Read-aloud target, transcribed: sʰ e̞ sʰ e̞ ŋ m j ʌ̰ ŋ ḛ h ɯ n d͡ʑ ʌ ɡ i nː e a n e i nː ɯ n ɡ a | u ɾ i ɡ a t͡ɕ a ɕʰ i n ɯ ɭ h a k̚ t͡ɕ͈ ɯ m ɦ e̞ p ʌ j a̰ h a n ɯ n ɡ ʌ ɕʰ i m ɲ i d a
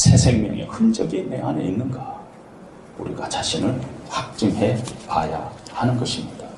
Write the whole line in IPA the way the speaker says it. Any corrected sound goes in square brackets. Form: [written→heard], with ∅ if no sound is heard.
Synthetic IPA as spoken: sʰ e̞ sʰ e̞ ŋ m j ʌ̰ ŋ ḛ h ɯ n d͡ʑ ʌ ɡ i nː e a n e i nː ɯ n ɡ a | u ɾ i ɡ a t͡ɕ a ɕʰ i n ɯ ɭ h a k̚ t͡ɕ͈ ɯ [m→ŋ] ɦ e̞ p [ʌ→a] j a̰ h a n ɯ n ɡ ʌ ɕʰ i m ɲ i d a